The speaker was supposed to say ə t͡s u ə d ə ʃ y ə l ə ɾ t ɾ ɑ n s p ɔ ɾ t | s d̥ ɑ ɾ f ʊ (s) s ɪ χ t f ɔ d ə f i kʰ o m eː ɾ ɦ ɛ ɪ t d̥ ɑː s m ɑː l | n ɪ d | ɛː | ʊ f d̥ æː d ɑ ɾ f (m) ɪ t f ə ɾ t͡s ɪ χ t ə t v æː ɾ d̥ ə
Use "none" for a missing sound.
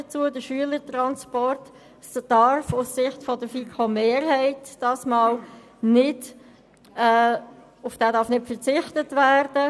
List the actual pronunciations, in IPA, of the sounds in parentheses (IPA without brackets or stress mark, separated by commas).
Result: s, n